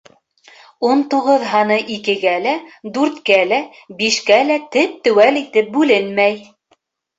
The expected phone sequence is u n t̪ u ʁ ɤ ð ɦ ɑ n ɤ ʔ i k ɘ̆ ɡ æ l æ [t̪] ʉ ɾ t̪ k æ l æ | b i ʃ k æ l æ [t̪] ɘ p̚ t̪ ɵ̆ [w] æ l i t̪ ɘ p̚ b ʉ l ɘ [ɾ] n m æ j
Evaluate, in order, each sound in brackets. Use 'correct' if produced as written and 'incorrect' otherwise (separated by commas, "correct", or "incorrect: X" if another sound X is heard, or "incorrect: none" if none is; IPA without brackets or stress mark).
incorrect: d̪, correct, correct, incorrect: none